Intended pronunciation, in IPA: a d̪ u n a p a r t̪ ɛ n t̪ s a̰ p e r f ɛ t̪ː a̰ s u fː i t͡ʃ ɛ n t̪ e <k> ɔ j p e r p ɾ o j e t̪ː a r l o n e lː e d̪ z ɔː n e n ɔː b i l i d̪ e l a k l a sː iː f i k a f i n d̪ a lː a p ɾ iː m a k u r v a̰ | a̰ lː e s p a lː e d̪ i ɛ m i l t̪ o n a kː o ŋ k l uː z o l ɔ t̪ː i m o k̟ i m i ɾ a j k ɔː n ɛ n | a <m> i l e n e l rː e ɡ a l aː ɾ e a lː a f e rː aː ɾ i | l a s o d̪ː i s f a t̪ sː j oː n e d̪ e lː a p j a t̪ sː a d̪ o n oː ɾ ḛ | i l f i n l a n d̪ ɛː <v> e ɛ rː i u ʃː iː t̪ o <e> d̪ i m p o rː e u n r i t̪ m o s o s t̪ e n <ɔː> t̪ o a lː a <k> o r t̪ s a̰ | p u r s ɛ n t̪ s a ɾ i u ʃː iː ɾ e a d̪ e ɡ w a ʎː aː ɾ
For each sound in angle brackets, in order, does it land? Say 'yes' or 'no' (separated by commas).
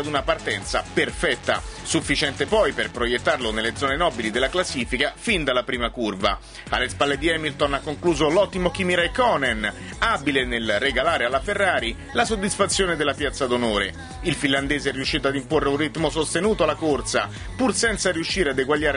no, no, no, no, no, yes